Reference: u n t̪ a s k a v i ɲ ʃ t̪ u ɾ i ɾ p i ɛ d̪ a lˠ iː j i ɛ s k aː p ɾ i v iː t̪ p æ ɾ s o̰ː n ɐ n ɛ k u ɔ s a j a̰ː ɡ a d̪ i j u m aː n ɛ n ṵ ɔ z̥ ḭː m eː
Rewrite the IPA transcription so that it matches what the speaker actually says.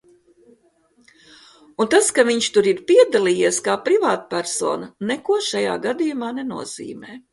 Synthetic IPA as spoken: u n t̪ a s k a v i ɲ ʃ t̪ u ɾ i ɾ p i ɛ d̪ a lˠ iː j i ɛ s k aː p ɾ i v aː t̪ p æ ɾ s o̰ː n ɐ n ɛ k u ɔ ʃ a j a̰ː ɡ a d̪ i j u m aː n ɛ n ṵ ɔ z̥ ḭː m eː